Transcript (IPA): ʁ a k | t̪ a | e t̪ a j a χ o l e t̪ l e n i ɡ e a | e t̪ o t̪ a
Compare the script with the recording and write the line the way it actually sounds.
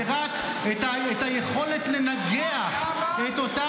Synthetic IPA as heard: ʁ a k | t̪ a | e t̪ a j e χ o l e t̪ l e n a ɡ e a | e t̪ o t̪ a